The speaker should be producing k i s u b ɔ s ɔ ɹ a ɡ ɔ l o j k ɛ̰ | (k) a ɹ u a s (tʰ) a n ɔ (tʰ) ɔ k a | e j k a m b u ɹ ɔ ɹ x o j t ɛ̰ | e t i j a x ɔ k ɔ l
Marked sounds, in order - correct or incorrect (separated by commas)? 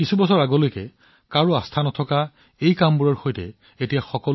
correct, correct, correct